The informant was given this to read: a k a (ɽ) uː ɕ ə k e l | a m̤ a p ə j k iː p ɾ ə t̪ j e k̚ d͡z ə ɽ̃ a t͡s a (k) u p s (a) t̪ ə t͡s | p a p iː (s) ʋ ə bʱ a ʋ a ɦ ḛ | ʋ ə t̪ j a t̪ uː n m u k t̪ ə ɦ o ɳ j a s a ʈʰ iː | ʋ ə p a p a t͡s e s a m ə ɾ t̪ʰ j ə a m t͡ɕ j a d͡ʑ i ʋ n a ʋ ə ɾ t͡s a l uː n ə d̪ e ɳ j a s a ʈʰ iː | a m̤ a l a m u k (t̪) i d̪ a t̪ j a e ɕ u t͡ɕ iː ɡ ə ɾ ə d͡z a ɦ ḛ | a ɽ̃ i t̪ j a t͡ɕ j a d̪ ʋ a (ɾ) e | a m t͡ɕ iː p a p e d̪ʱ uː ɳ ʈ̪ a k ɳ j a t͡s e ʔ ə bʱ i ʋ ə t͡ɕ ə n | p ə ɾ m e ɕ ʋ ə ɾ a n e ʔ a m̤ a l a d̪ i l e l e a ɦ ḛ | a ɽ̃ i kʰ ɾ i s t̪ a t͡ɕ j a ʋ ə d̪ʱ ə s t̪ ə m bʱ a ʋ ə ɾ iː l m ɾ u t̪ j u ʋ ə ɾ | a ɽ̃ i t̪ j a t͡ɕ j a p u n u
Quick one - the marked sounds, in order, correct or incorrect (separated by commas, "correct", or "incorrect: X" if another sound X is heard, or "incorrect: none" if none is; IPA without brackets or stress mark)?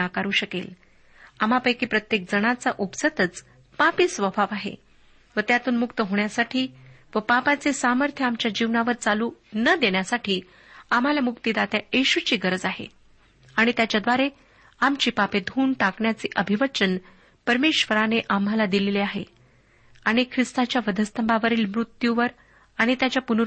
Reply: incorrect: ɾ, incorrect: ʔ, incorrect: ə, correct, correct, correct